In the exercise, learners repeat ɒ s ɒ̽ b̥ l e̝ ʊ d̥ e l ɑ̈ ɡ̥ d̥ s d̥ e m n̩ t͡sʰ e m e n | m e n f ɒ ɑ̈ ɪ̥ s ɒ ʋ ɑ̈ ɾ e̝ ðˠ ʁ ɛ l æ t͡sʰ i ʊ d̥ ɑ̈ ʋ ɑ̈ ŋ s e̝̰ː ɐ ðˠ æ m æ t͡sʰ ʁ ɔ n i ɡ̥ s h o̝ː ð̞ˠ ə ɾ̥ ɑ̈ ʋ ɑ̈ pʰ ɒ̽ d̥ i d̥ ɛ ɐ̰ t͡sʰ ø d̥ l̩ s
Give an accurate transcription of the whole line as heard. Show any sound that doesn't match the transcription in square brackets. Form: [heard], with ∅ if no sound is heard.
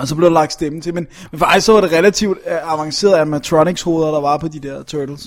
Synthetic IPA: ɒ s ɒ̽ b̥ l e̝ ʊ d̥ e l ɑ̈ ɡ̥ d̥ s d̥ e m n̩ t͡sʰ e m e n | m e n f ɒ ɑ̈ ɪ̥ s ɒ ʋ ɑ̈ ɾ e̝ [∅] ʁ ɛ l æ t͡sʰ i ʊ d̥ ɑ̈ ʋ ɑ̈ ŋ s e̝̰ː ɐ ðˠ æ m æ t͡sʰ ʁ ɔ n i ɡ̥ s h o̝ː ð̞ˠ [ɐ] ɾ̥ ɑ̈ ʋ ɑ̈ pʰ ɒ̽ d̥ i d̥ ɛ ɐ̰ t͡sʰ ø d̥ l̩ s